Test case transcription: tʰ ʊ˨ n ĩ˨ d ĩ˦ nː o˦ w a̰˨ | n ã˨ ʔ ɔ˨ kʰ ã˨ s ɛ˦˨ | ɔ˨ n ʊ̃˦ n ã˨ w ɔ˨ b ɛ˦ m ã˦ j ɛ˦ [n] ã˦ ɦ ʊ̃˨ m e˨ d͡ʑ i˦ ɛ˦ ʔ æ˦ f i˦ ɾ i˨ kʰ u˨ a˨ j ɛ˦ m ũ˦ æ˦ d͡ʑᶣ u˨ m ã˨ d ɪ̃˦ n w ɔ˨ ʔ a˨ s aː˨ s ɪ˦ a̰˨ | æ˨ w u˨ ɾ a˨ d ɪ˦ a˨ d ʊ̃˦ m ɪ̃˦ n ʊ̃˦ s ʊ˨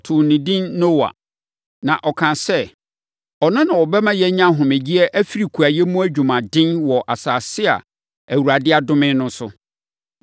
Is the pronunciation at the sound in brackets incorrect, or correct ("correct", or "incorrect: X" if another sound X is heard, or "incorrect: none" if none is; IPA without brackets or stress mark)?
incorrect: ɲ